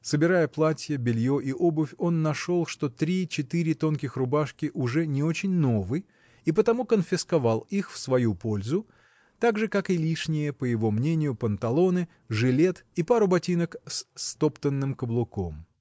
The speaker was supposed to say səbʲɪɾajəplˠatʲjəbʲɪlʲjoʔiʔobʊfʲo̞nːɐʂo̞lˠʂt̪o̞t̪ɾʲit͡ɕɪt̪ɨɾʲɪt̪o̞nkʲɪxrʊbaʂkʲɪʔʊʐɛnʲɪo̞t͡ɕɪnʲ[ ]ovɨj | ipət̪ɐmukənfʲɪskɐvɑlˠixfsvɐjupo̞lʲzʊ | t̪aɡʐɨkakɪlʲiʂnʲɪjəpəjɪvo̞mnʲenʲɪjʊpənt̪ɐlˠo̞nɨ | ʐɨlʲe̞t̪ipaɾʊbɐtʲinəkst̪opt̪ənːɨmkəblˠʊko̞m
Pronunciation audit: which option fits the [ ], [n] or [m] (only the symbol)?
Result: n